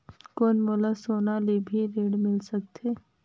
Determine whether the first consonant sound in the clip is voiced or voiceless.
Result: voiceless